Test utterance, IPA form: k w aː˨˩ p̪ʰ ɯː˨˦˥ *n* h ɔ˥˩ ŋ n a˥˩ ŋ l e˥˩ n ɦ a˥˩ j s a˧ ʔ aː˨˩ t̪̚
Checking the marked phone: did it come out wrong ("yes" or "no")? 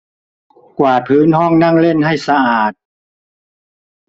no